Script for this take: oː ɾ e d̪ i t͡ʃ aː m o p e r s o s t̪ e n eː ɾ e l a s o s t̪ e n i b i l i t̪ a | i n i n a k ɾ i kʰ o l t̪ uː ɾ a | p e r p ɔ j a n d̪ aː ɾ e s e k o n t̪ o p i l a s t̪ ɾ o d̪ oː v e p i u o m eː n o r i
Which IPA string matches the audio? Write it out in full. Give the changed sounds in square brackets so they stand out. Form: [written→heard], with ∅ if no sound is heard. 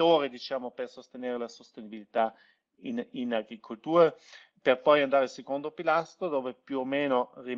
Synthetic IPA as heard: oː ɾ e d̪ i t͡ʃ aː m o p e r s o s t̪ e n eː ɾ e l a s o s t̪ e n i b i l i t̪ a | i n i n a [k→ɡ] ɾ i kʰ o l t̪ uː ɾ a | p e r p ɔ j a n d̪ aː ɾ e s e k o n [t̪→d̪] o p i l a s t̪ ɾ o d̪ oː v e p [i→j] u o m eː n o r i

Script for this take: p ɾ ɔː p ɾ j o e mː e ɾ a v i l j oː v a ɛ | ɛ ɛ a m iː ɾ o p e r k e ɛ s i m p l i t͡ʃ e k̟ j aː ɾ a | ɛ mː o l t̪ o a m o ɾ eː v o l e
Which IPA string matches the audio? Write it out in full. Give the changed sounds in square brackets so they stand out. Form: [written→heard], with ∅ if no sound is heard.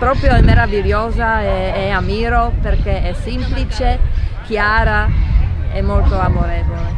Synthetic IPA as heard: p ɾ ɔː p ɾ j o [e→ɛ] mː e ɾ a v i l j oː [v→z] a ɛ | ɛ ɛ a m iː ɾ o p e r k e ɛ s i m p l i t͡ʃ e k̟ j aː ɾ a | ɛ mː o l t̪ o a m o ɾ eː v o l e

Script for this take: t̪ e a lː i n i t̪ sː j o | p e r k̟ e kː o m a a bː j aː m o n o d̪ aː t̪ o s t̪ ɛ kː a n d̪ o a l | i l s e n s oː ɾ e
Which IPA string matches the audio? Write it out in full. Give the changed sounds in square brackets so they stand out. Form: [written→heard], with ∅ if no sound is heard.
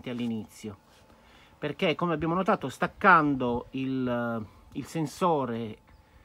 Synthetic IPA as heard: t̪ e a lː i n i t̪ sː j o | p e r k̟ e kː o m [a→e] a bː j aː m o n o [d̪→t̪] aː t̪ o s t̪ [ɛ→a] kː a n d̪ o [a→i] l | i l s e n s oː ɾ e

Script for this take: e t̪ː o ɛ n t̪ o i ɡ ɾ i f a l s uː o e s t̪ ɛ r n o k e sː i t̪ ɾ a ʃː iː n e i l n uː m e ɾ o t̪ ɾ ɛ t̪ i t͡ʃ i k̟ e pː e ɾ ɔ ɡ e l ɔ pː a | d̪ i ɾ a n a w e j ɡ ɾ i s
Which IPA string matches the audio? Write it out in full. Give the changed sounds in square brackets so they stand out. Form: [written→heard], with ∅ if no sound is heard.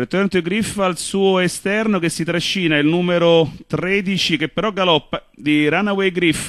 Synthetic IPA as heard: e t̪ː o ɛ n t̪ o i ɡ ɾ i f a l s uː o e s t̪ ɛ r n o k e sː i t̪ ɾ a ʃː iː n [e→a] i l n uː m e ɾ o t̪ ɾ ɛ [t̪→d̪] i t͡ʃ i k̟ e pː e ɾ ɔ ɡ [e→a] l ɔ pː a | d̪ i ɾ a n a w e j ɡ ɾ i [s→f]

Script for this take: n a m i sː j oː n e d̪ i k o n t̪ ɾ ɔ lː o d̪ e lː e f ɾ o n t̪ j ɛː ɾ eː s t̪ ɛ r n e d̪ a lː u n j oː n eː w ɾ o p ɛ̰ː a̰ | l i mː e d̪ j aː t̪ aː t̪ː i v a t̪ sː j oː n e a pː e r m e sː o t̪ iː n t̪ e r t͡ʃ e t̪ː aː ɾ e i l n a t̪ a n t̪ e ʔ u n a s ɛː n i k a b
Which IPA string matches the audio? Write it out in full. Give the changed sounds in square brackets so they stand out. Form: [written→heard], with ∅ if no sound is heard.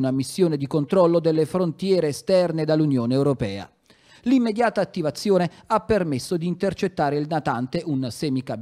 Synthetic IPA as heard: n a m i sː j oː n e d̪ i k o n t̪ ɾ ɔ lː o d̪ e lː e f ɾ o n t̪ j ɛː ɾ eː s t̪ ɛ r n e d̪ a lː u n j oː n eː w ɾ o p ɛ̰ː a̰ | l i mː e d̪ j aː t̪ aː t̪ː i v a t̪ sː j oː n e a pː e r m e sː o [t̪→d̪] iː n t̪ e r t͡ʃ e t̪ː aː ɾ e i l n a t̪ a n t̪ e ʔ u n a s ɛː [n→m] i k a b

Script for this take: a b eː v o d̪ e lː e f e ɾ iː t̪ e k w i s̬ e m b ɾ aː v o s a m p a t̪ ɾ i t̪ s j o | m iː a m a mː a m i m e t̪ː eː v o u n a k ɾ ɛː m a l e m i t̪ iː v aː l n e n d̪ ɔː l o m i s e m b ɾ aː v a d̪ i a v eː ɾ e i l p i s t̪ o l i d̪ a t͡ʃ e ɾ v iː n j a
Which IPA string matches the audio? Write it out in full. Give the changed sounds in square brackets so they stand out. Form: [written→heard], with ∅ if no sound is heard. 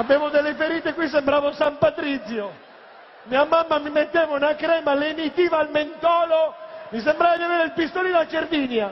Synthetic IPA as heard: a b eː v o d̪ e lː e f e ɾ iː t̪ e k w i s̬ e m b ɾ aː v o s a m p a t̪ ɾ i t̪ s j o | m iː a m a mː a m i m e t̪ː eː v o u n a k ɾ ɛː m a l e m i t̪ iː v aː l [n→m] e n [d̪→t̪] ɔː l o m i s e m b ɾ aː v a d̪ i a v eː ɾ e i l p i s t̪ o l i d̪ a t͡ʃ e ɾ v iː n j a

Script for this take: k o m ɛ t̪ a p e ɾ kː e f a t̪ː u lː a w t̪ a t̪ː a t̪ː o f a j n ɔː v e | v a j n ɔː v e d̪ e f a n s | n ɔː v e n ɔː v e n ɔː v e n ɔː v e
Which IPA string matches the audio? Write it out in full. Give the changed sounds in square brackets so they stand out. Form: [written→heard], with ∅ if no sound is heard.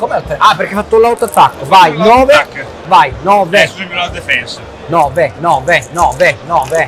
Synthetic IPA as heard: k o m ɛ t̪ a p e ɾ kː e f a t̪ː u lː a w t̪ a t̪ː a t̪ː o [f→v] a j n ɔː v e | v a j n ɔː v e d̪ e f [a→ɛ] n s | n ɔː v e n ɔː v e n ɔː v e n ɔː v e

